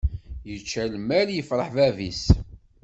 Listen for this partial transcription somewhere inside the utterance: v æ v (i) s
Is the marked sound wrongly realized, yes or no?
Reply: no